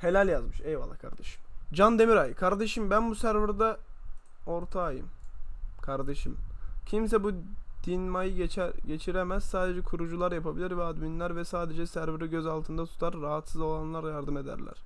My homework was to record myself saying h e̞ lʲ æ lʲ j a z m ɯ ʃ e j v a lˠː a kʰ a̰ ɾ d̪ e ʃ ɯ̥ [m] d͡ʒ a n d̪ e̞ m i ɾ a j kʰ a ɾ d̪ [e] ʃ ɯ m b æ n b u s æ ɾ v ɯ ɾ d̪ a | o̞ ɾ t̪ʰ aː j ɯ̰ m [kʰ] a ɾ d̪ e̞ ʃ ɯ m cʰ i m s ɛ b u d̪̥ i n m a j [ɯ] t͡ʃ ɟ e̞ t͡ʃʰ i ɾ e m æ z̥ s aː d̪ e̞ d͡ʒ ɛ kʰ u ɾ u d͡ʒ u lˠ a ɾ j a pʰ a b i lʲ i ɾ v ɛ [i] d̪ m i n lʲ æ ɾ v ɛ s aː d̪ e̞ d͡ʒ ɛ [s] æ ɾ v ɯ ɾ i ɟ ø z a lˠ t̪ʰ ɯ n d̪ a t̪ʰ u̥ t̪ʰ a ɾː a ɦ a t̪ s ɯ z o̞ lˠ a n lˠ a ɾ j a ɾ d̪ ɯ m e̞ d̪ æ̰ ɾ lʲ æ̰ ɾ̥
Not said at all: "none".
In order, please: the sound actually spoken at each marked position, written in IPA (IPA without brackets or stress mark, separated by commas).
m, e, kʰ, ɯ, a, s